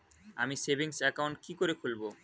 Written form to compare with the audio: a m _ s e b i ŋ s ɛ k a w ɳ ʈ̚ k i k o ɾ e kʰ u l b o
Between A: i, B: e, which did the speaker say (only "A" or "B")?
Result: A